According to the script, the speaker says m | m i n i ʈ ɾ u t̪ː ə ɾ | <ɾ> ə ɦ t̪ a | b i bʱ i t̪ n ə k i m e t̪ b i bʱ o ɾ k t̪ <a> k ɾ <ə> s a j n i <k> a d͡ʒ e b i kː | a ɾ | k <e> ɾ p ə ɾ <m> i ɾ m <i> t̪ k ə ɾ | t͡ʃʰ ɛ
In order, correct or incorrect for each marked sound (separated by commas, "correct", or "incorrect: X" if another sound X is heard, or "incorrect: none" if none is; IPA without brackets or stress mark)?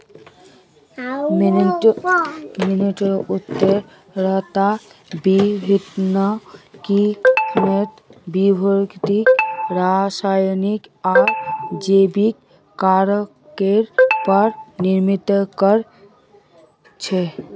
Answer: correct, incorrect: i, incorrect: a, correct, correct, incorrect: n, correct